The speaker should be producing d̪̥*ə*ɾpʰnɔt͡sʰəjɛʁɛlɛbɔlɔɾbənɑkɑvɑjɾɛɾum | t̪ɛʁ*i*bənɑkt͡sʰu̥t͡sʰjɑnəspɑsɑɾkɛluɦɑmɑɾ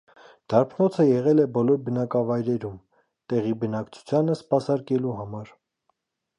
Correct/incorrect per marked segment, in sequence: incorrect, correct

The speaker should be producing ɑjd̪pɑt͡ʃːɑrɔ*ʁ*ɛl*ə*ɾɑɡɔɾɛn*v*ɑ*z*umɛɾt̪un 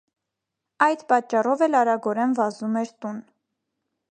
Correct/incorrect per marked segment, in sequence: incorrect, incorrect, correct, correct

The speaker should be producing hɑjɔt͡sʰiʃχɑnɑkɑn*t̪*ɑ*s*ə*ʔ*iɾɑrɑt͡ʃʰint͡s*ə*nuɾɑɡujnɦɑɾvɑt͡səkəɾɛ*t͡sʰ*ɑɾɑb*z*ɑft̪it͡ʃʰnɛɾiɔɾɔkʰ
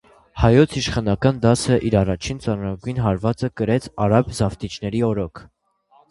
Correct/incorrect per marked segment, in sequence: incorrect, correct, correct, incorrect, correct, correct

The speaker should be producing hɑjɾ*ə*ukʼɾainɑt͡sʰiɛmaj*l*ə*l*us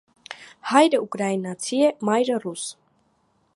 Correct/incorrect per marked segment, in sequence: correct, incorrect, incorrect

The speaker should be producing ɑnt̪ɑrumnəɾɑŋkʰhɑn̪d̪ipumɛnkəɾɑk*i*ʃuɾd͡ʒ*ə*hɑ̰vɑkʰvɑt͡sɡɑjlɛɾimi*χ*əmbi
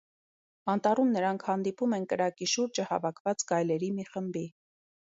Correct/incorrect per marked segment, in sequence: correct, correct, correct

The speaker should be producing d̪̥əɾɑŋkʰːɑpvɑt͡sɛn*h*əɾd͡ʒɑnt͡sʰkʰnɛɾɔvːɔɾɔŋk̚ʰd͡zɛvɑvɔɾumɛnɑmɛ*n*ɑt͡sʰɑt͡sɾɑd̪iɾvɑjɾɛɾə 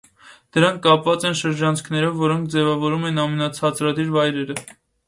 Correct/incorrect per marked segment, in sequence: incorrect, correct

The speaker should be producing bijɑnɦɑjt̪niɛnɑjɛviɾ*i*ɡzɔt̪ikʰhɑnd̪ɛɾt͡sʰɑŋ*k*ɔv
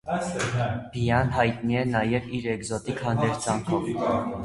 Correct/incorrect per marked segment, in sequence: incorrect, incorrect

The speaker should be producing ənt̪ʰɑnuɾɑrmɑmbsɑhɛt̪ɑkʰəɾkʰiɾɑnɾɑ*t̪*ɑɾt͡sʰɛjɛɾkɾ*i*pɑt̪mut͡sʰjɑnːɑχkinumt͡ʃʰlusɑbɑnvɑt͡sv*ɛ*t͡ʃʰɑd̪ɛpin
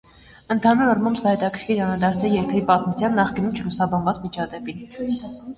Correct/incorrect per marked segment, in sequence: incorrect, correct, incorrect

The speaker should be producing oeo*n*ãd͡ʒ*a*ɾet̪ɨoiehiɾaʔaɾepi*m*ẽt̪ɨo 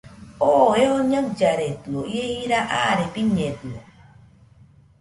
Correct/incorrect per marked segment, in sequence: incorrect, correct, incorrect

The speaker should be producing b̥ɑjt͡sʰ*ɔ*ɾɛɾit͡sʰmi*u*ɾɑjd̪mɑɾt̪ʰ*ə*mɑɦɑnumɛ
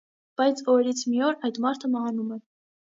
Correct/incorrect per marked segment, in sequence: correct, incorrect, correct

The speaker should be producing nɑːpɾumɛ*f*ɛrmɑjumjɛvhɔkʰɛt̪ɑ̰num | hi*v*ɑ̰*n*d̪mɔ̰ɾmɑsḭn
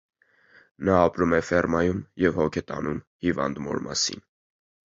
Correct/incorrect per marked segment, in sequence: correct, correct, correct

